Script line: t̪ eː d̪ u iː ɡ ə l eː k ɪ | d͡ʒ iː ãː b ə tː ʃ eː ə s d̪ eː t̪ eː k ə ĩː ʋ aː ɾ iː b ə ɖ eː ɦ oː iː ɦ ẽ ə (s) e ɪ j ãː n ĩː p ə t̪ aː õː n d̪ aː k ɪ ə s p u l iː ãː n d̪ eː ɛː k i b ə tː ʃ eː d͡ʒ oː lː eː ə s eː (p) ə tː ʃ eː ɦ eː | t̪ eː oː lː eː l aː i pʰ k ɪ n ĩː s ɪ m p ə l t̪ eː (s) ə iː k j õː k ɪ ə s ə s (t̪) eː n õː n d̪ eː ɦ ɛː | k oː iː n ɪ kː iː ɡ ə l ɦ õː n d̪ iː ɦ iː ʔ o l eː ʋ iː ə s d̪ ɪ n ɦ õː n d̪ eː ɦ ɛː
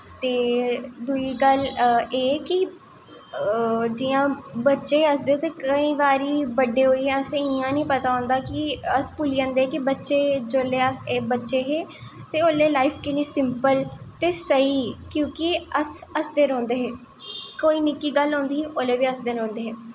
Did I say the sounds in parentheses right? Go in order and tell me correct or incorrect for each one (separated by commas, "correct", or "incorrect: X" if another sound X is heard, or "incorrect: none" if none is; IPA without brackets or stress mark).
correct, incorrect: b, correct, incorrect: d̪